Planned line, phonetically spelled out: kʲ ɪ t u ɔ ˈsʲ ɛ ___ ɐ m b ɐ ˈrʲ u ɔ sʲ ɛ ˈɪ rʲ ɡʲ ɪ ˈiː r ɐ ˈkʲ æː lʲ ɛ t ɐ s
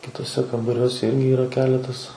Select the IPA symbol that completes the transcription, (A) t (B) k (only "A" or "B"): B